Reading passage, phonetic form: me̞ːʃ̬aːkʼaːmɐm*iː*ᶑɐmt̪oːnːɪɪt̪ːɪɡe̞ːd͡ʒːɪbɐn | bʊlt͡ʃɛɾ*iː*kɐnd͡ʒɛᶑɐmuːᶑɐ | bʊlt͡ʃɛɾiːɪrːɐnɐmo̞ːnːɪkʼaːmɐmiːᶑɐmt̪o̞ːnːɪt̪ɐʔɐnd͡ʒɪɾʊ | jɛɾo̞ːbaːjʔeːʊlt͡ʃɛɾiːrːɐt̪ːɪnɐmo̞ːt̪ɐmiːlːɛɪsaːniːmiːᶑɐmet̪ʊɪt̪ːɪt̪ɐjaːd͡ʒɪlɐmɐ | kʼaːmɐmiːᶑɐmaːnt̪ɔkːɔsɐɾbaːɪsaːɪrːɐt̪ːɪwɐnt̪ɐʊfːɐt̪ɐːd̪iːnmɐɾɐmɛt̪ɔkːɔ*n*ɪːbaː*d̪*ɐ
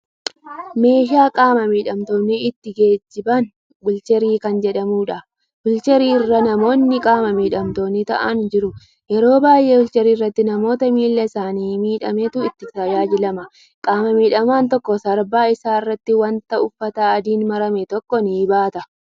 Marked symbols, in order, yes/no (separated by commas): yes, yes, yes, no